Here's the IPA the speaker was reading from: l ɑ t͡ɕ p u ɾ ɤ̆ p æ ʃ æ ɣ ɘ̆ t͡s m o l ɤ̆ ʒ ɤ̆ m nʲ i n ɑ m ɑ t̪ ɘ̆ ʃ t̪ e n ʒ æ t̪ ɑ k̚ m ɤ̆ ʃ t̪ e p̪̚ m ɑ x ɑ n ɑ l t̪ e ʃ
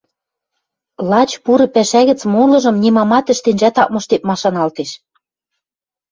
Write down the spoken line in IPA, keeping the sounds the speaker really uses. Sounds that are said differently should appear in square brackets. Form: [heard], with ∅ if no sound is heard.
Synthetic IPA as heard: l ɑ t͡ɕ p u ɾ ɤ̆ p æ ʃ æ ɣ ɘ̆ t͡s m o l ɤ̆ ʒ ɤ̆ m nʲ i [m] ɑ m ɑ t̪ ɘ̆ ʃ t̪ e n ʒ æ t̪ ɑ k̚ m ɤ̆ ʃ t̪ e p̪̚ m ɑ [ʃ] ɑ n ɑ l t̪ e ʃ